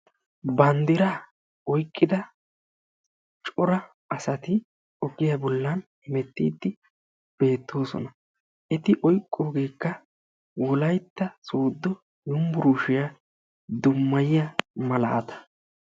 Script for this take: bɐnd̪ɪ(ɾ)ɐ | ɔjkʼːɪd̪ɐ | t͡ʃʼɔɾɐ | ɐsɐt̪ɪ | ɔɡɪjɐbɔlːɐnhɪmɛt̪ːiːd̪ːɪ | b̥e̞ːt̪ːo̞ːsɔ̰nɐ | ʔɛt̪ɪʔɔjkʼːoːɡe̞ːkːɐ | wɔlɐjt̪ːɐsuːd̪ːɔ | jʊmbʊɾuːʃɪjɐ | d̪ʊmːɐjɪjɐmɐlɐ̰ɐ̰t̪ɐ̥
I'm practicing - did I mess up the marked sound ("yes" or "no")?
no